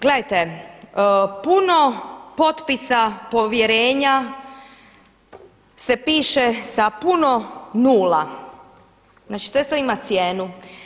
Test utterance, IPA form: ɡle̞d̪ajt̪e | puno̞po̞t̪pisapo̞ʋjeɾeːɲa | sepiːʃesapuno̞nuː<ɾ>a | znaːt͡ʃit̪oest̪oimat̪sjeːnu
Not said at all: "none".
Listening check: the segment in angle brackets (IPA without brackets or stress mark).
l